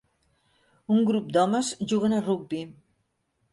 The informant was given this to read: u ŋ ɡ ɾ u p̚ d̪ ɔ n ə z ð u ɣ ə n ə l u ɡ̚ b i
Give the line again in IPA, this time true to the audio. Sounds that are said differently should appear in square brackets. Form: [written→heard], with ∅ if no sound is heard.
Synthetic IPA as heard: u ŋ ɡ ɾ u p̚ d̪ ɔ [n→m] ə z [ð→ʒ] u ɣ ə n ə [l→r] u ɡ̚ b i